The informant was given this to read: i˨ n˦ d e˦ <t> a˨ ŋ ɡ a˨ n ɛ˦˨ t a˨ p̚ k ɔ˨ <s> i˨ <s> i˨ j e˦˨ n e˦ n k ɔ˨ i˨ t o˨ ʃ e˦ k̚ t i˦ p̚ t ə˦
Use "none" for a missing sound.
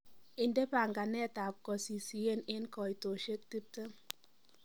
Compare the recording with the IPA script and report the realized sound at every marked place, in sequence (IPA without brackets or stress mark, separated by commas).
p, s, s